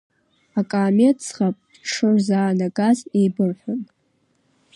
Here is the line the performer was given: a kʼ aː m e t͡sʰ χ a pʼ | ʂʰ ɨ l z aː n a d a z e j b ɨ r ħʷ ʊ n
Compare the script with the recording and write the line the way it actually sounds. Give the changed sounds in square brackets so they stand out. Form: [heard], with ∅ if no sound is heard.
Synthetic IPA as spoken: a kʼ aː m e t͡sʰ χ a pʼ | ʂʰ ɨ [r] z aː n a [ɡ] a z e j b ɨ r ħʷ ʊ n